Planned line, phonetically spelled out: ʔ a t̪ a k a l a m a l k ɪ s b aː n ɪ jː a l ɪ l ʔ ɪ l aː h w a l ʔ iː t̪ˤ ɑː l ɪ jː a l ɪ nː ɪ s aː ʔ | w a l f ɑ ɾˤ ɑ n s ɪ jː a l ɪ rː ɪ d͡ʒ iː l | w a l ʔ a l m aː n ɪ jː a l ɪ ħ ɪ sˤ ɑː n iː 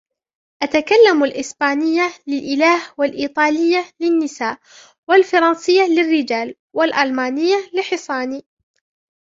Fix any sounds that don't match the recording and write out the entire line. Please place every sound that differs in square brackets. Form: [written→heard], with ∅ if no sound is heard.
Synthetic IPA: ʔ a t̪ a k a [l→lː] a m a l [k→ʔ] ɪ s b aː n ɪ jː a l ɪ l ʔ ɪ l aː h w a l ʔ iː t̪ˤ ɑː l ɪ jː a l ɪ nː ɪ s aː ʔ | w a l f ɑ ɾˤ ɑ n s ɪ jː a l ɪ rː ɪ d͡ʒ [iː→aː] l | w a l ʔ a l m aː n ɪ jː a l ɪ ħ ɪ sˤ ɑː n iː